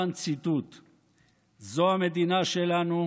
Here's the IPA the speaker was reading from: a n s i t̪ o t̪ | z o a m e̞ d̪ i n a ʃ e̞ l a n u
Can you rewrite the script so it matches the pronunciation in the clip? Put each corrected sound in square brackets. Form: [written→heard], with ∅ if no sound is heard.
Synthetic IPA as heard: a n [s→t͡s] i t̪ [o→u] t̪ | z o a m e̞ d̪ i n a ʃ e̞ l a n u